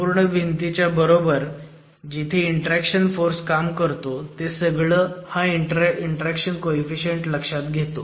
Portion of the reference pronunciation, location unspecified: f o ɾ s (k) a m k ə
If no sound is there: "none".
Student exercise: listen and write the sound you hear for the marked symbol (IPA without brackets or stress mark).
k